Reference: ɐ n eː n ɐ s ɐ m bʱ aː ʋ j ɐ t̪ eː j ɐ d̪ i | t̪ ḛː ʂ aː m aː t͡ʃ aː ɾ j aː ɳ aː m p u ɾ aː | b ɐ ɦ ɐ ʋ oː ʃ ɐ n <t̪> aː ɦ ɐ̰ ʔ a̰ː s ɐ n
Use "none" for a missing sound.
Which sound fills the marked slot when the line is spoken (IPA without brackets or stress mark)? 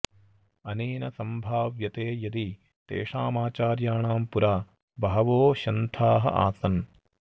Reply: t̪ʰ